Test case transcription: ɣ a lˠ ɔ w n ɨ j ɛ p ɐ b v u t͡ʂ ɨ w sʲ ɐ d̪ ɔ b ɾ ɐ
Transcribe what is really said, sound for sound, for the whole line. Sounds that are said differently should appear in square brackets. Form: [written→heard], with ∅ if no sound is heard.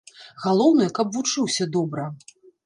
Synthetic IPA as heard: ɣ a lˠ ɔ w n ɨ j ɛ [p→k] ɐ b v u t͡ʂ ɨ w sʲ ɐ d̪ ɔ b ɾ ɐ

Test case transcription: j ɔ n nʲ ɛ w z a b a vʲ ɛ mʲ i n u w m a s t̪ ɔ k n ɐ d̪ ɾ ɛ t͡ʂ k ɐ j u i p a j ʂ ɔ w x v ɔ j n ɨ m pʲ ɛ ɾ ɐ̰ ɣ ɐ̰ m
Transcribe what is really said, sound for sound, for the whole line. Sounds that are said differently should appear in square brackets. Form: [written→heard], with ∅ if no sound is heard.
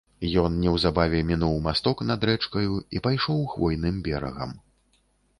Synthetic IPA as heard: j ɔ n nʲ ɛ w z a b a vʲ ɛ mʲ i n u w m a s t̪ ɔ k n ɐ d̪ ɾ ɛ t͡ʂ k ɐ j u i p a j ʂ ɔ w x v ɔ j n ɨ m [pʲ→bʲ] ɛ ɾ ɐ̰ ɣ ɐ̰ m

